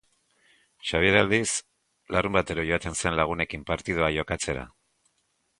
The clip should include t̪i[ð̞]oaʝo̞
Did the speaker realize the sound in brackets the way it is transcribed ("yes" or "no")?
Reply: yes